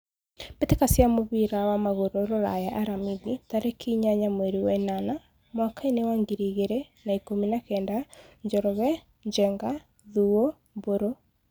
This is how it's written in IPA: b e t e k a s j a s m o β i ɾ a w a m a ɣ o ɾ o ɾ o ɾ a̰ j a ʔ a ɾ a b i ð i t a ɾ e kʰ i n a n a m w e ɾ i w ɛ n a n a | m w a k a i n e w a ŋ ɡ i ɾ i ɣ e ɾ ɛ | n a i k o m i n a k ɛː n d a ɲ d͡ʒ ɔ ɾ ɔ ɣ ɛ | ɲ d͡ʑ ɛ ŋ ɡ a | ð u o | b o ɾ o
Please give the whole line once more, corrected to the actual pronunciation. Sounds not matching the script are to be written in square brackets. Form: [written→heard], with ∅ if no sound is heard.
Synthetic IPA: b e t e k a s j a [s→∅] m o β i ɾ a w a m a ɣ o ɾ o ɾ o ɾ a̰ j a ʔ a ɾ a [b→m] i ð i t a ɾ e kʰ i [n→ɲ] a [n→ɲ] a m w e ɾ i w ɛ n a n a | m w a k a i n e w a ŋ ɡ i ɾ i ɣ e ɾ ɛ | n a i k o m i n a k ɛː n d a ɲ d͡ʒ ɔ ɾ ɔ ɣ ɛ | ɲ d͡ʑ ɛ ŋ ɡ a | ð u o | b o ɾ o

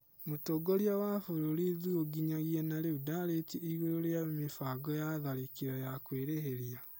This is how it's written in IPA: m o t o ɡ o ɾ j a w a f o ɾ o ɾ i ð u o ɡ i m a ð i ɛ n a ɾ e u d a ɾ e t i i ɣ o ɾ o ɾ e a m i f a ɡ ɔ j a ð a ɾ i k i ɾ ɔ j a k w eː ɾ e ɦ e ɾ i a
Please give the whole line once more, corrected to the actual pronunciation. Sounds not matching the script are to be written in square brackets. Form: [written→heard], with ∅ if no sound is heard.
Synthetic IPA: m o t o ɡ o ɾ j a w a f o ɾ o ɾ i ð u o ɡ i [m→ɲ] a [ð→ɣ] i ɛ n a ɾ e u d a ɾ e t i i ɣ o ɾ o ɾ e a m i f a ɡ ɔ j a ð a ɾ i k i ɾ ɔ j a k w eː ɾ e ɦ e ɾ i a

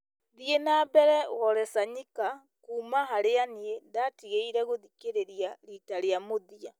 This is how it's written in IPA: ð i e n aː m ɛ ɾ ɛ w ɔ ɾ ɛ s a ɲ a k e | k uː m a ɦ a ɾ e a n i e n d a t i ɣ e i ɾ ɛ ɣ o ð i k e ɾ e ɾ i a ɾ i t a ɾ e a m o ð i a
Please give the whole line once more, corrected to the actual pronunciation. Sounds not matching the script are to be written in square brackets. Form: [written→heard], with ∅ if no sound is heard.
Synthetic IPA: ð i e n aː [m→b] ɛ ɾ ɛ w ɔ ɾ ɛ s a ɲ [a→i] k [e→a] | k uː m a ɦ a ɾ e a n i e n d a t i ɣ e i ɾ ɛ ɣ o ð i k e ɾ e ɾ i a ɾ i t a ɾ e a m o ð i a

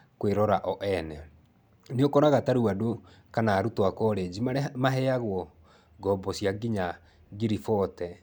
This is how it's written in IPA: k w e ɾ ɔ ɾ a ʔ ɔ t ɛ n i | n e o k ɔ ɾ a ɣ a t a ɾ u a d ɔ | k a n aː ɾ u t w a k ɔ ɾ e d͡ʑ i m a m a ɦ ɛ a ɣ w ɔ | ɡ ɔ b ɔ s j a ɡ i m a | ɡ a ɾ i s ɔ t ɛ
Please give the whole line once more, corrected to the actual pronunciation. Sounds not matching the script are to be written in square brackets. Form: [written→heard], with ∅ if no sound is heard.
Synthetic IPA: k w e ɾ ɔ ɾ a ʔ ɔ [t→ʔ] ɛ n [i→ɛ] | n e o k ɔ ɾ a ɣ a t a ɾ u a d [ɔ→o] | k a n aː ɾ u t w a k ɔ ɾ e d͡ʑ i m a m a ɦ ɛ a ɣ w ɔ | ɡ ɔ b ɔ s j a ɡ i [m→ɲ] a | ɡ [a→i] ɾ i [s→f] ɔ t ɛ

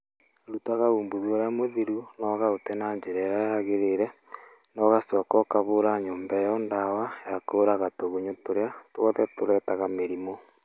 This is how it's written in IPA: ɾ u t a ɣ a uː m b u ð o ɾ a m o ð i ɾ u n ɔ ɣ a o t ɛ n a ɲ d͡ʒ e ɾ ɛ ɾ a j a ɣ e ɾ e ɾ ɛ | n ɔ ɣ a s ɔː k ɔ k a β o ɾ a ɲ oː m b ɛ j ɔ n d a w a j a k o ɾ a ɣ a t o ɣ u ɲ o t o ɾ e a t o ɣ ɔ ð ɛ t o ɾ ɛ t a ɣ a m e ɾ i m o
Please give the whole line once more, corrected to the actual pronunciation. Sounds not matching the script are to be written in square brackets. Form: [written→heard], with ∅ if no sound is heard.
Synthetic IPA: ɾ u t a ɣ a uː m b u ð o ɾ a m o ð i ɾ u n ɔ ɣ a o t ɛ n a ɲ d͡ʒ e ɾ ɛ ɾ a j a ɣ e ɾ e ɾ ɛ | n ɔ ɣ a s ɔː k ɔ k a β o ɾ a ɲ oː m b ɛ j ɔ n d a w a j a k o ɾ a ɣ a t o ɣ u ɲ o t o ɾ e a t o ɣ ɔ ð ɛ t o ɾ ɛ t a ɣ a m e ɾ i m o

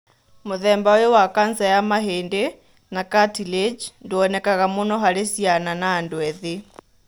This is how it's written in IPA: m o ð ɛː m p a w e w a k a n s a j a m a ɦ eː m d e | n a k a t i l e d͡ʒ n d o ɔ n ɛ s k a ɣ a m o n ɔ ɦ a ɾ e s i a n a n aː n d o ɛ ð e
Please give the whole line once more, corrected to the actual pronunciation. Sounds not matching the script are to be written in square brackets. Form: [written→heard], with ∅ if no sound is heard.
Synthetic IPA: m o ð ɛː m [p→b] a w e w a k a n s a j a m a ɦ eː [m→n] d e | n a k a t i l e d͡ʒ n d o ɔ n ɛ [s→∅] k a ɣ a m o n ɔ ɦ a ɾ e s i a n a n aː n d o ɛ ð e

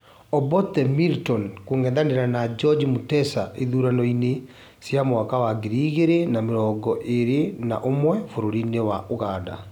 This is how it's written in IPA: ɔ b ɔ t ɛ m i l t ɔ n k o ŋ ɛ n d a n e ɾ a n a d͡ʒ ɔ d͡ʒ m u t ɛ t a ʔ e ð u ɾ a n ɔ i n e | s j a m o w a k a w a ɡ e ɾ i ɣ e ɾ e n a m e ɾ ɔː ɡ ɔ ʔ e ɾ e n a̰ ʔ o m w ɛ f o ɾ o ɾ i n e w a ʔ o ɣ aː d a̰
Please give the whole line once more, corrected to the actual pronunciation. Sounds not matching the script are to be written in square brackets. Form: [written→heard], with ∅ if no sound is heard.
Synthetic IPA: ɔ b ɔ t ɛ m i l t ɔ n k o ŋ ɛ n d a n e ɾ a n a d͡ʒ ɔ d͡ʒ m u t ɛ [t→s] a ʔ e ð u ɾ a n ɔ i n e | s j a m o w a k a w a ɡ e ɾ i ɣ e ɾ e n a m e ɾ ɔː ɡ ɔ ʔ e ɾ e n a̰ ʔ o m w ɛ f o ɾ o ɾ i n e w a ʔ o ɣ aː d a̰

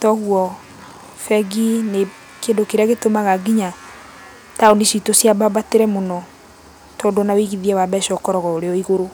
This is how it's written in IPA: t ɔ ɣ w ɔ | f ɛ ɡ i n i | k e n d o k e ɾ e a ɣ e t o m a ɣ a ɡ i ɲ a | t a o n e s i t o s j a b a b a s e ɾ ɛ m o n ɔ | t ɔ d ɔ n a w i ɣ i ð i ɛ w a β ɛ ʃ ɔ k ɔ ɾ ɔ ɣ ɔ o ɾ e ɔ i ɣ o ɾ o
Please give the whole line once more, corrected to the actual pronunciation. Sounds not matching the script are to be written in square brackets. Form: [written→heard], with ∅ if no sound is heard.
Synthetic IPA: t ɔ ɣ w ɔ | f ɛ ɡ i n [i→e] | k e n d o k e ɾ e a ɣ e t o m a ɣ a ɡ i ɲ a | t a o n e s i t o s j a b a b a [s→t] e ɾ ɛ m o n ɔ | t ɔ d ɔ n a w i ɣ i ð i ɛ w a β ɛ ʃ ɔ k ɔ ɾ ɔ ɣ ɔ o ɾ e ɔ i ɣ o ɾ o

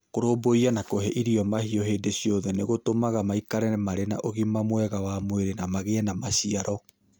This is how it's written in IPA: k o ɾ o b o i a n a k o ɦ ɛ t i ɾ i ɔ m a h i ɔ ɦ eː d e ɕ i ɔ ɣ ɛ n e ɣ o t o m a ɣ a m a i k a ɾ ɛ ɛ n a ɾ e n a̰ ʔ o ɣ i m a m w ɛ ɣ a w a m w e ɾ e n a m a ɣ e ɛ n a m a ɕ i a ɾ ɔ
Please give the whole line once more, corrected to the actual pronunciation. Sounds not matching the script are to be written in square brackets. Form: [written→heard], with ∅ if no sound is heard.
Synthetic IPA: k o ɾ o b o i a n a k o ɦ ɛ [t→ʔ] i ɾ i ɔ m a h i ɔ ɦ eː d e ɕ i ɔ [ɣ→ð] ɛ n e ɣ o t o m a ɣ a m a i k a ɾ ɛ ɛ [n→m] a ɾ e n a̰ ʔ o ɣ i m a m w ɛ ɣ a w a m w e ɾ e n a m a ɣ e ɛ n a m a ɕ i a ɾ ɔ

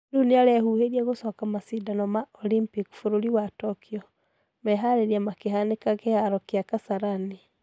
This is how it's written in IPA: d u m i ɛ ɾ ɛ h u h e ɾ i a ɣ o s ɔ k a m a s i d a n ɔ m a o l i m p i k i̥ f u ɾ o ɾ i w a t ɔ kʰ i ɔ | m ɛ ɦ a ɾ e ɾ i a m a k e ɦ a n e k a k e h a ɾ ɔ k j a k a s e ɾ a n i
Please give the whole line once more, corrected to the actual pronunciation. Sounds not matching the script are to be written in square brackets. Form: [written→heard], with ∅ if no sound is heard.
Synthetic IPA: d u [m→n] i [ɛ→a] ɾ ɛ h u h e ɾ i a ɣ o s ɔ k a m a s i d a n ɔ m a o l i m p i k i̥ f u ɾ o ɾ i w a t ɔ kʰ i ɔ | m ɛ ɦ a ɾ e ɾ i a m a k e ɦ a n e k a k e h a ɾ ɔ k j a k a s [e→a] ɾ a n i

